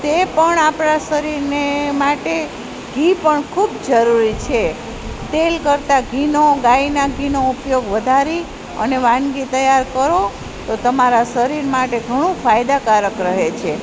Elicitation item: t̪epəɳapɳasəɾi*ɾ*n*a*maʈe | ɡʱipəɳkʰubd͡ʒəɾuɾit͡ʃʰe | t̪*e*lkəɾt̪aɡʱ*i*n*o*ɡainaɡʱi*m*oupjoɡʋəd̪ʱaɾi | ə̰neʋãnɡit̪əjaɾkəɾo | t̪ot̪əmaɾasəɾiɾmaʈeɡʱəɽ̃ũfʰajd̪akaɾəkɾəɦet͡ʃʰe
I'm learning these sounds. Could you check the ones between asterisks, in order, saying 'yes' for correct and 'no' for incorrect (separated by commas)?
yes, no, yes, yes, yes, no